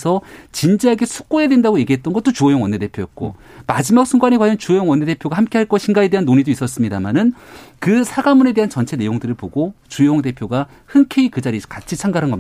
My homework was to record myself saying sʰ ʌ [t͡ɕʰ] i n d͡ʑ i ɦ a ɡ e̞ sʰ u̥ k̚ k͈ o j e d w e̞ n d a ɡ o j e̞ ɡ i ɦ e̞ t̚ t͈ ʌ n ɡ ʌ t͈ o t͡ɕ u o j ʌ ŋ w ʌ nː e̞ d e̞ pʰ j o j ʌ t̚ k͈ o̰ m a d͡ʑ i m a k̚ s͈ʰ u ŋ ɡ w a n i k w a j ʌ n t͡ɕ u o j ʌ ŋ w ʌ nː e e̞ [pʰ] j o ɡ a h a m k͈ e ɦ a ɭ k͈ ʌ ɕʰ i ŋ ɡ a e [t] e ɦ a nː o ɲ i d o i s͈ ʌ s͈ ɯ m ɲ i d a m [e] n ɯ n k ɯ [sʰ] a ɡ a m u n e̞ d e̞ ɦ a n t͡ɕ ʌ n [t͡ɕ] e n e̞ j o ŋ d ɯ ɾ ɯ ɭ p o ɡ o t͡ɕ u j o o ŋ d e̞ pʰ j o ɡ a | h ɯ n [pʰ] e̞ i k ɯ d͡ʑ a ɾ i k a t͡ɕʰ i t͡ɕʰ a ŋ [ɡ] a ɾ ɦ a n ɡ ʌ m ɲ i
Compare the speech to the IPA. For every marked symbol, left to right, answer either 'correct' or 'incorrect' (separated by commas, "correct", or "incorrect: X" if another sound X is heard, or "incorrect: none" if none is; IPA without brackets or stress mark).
incorrect: t͡ɕ, correct, incorrect: d, incorrect: a, correct, incorrect: t͡ɕʰ, incorrect: kʰ, correct